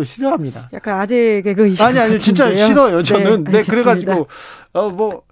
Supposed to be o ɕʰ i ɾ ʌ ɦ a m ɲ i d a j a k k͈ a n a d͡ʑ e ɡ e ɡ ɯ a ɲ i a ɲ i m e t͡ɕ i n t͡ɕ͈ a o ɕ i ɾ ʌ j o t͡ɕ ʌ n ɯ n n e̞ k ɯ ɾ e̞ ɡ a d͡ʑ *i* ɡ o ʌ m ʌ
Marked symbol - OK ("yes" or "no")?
yes